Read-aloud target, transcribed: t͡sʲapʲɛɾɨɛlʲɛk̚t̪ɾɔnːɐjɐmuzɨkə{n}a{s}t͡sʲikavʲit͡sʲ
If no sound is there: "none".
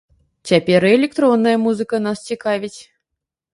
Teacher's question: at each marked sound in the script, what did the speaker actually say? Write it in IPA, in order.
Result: n, s

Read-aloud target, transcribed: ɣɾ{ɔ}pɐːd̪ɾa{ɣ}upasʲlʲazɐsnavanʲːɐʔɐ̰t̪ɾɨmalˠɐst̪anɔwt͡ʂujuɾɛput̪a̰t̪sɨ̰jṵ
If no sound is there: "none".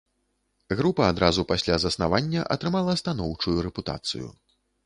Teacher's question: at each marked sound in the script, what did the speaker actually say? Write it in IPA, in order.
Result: u, z

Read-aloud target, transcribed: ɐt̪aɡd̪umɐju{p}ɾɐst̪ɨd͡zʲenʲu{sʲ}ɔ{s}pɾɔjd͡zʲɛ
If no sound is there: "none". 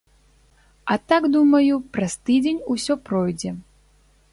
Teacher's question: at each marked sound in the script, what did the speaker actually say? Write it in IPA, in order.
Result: p, sʲ, none

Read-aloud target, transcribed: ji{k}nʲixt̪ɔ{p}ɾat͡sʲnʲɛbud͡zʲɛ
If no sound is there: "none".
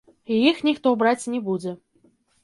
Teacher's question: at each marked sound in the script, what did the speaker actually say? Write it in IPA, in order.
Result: x, b

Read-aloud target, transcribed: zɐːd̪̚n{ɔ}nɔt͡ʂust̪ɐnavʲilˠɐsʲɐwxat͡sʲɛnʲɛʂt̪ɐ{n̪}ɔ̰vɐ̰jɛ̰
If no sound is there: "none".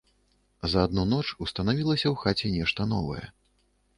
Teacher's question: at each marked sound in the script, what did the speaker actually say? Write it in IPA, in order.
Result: u, n̪

